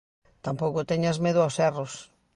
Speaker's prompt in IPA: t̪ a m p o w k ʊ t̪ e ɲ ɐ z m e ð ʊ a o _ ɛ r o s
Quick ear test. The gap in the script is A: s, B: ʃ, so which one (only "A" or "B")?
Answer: A